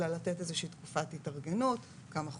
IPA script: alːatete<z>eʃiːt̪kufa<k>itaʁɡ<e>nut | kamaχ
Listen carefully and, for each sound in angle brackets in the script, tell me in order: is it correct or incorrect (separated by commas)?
correct, incorrect, correct